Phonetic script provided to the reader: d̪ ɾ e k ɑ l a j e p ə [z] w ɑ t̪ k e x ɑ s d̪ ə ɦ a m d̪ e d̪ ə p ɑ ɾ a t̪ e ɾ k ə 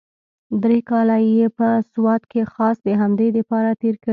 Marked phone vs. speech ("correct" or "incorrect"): incorrect